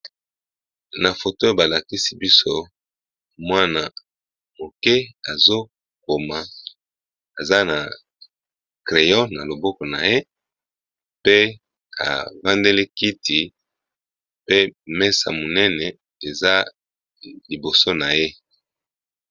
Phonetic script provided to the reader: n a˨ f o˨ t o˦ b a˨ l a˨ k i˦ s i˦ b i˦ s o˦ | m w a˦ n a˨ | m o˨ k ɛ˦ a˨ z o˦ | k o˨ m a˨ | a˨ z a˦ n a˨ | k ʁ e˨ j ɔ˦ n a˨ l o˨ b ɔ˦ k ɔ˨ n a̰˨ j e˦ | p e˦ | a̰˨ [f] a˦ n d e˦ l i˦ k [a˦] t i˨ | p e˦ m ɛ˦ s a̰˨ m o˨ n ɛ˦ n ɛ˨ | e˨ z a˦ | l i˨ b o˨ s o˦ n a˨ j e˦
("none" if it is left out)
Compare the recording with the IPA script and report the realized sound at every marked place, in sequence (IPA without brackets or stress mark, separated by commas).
v, i˦